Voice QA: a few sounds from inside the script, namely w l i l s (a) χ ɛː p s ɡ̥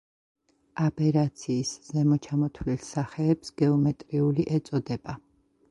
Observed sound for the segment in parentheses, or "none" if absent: a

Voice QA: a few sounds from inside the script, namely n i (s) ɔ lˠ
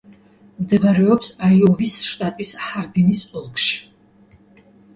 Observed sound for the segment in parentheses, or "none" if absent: s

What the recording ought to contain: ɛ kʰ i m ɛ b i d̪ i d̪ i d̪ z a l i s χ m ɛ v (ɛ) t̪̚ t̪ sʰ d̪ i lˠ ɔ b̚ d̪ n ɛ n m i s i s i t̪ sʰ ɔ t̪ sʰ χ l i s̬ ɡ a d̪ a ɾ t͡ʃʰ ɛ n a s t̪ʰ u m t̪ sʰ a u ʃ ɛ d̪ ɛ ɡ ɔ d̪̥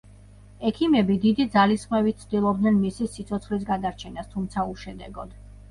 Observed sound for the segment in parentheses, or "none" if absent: i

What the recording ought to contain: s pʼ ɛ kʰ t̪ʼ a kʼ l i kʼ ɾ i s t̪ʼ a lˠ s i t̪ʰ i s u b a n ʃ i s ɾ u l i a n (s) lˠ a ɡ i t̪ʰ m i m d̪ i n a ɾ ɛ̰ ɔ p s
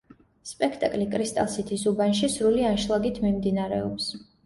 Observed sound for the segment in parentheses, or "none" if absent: ʃ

